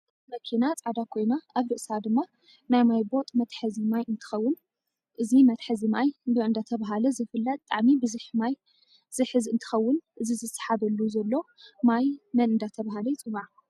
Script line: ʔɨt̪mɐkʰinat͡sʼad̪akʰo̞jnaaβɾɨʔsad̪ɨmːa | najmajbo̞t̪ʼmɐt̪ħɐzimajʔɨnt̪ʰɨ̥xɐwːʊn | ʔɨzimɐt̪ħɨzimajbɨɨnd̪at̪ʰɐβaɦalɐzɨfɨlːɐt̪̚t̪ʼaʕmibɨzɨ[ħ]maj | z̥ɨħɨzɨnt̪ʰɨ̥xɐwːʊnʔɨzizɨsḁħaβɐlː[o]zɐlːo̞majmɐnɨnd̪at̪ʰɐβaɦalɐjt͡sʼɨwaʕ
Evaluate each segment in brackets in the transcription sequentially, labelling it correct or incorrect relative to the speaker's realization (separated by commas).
correct, incorrect